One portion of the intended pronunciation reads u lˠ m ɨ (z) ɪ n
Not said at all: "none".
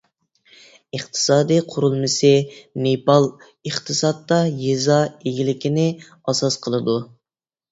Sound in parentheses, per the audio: s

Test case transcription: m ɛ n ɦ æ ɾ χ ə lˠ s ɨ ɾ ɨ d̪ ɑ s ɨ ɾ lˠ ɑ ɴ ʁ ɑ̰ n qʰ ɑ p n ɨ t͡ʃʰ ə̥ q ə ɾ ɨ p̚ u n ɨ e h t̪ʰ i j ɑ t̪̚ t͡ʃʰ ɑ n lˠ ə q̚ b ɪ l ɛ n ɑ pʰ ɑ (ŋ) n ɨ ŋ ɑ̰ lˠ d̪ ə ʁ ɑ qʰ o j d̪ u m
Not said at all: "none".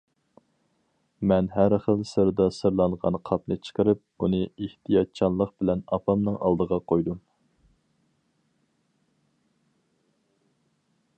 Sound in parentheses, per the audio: m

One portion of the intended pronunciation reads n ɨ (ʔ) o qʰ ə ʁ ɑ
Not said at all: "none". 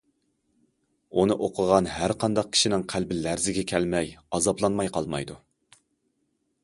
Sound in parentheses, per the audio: ʔ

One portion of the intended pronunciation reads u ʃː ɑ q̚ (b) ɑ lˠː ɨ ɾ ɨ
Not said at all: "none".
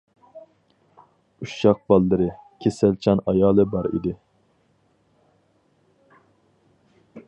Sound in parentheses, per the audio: b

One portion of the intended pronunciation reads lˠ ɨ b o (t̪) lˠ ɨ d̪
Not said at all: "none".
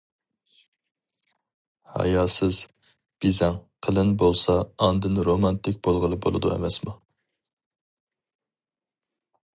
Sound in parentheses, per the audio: none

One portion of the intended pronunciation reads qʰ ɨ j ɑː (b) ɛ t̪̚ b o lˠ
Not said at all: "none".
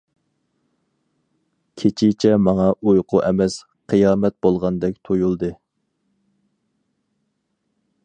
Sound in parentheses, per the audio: m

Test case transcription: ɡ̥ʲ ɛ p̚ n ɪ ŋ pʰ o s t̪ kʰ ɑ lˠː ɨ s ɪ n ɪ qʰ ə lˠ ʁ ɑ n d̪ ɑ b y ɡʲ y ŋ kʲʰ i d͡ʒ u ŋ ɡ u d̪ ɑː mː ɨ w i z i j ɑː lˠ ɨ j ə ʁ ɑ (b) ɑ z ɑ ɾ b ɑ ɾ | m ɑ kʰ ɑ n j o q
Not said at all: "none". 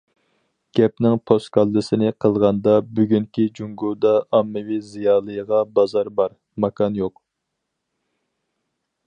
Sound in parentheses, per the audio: b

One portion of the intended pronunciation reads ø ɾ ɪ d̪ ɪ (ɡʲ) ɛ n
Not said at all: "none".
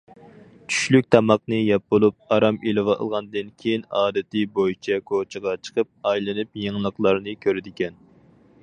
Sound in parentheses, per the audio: kʲ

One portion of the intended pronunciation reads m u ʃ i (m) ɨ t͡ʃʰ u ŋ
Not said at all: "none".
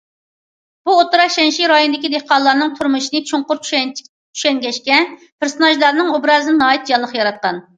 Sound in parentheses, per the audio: n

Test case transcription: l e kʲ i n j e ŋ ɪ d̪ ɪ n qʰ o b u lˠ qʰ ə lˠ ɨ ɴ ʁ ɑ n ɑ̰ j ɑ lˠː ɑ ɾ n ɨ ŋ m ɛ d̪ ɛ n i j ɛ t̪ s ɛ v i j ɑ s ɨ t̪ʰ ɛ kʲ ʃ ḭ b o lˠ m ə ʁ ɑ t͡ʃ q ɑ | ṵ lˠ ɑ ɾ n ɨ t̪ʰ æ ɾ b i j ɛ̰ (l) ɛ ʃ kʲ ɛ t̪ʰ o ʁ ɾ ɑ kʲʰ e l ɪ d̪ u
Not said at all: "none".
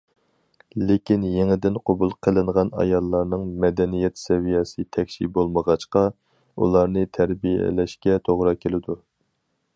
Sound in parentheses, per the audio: l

